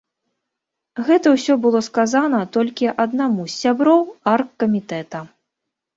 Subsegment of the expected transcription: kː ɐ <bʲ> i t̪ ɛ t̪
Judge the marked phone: incorrect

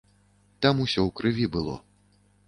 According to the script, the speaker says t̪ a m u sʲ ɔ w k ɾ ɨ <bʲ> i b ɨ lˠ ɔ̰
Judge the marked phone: incorrect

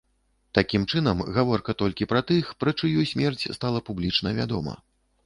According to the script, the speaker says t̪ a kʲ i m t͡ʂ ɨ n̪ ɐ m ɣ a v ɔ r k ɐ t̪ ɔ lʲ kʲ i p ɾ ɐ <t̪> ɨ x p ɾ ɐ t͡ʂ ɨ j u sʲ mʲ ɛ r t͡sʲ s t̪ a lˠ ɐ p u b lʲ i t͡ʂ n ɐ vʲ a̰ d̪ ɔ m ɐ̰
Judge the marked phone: correct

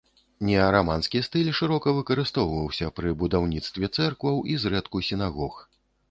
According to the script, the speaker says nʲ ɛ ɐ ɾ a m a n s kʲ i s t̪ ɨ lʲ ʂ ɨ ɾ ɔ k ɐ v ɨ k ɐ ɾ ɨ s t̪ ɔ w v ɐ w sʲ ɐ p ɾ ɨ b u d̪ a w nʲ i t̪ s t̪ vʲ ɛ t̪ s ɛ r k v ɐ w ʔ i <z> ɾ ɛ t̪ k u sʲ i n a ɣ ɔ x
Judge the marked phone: correct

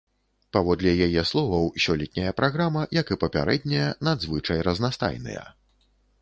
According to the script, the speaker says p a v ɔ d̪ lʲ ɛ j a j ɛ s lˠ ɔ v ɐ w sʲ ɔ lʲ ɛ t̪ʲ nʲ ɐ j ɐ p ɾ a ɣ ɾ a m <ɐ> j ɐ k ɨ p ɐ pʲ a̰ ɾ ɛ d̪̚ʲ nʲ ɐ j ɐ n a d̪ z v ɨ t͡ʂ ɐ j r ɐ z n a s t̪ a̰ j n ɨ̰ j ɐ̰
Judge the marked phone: correct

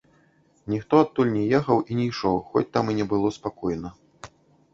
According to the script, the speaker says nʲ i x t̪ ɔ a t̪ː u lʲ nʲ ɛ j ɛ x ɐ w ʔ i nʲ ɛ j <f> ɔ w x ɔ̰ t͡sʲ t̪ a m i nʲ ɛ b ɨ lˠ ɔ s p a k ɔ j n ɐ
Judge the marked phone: incorrect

